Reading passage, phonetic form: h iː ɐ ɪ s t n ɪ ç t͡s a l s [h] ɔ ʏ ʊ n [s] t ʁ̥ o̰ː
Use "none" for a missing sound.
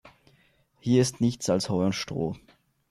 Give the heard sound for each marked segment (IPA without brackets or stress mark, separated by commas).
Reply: h, ʃ